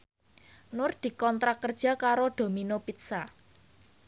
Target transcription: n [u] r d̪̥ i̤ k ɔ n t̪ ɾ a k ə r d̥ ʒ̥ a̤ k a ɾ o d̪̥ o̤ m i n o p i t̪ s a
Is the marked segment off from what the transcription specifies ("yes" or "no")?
yes